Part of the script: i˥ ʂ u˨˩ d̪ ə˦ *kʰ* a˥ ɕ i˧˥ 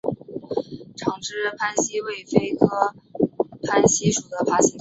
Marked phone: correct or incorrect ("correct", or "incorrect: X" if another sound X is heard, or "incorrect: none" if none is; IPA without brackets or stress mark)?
incorrect: pʰ